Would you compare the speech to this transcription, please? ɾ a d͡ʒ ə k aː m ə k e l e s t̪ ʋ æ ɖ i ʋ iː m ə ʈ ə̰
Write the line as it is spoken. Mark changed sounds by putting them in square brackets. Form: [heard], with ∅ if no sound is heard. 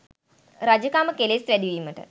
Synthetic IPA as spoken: ɾ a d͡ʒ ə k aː m ə k e l e s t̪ ʋ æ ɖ i ʋ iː m ə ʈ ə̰